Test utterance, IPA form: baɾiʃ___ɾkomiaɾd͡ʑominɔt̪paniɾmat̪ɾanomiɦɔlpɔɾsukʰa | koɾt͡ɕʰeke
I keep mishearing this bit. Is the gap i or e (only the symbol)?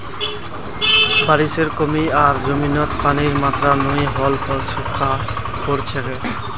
e